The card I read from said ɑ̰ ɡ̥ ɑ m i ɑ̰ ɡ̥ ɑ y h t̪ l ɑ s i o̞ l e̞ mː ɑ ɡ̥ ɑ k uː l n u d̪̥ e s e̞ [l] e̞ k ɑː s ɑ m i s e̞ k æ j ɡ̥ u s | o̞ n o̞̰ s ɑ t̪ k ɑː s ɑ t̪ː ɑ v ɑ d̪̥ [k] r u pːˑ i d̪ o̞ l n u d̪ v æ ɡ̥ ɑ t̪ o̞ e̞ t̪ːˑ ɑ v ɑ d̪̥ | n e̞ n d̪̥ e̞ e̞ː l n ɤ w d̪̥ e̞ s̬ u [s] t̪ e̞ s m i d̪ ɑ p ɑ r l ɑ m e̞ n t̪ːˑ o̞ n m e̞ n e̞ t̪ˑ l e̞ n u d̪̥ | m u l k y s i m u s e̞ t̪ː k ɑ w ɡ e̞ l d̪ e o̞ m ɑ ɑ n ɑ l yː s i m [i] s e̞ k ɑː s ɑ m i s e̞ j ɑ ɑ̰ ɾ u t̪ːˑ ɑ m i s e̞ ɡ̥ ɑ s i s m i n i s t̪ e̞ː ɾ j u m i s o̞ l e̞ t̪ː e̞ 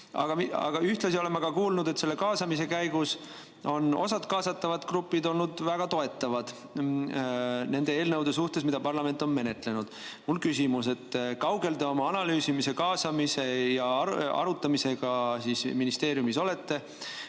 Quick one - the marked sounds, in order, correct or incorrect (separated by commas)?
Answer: incorrect, correct, incorrect, correct